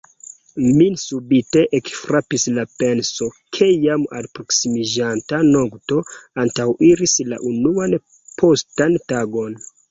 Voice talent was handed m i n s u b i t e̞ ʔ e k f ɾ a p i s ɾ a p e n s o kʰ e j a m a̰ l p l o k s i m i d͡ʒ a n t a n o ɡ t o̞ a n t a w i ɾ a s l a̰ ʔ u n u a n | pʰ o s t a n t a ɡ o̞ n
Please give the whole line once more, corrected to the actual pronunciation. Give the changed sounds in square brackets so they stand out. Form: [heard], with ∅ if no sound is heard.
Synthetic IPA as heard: m i n s u b i t e̞ ʔ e k f ɾ a p i s [l] a p e n s o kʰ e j a m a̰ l p [ɾ] o k s i m i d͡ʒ a n t a n o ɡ t o̞ a n t a w i ɾ [i] s l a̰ ʔ u n u a n | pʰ o s t a n t a ɡ o̞ n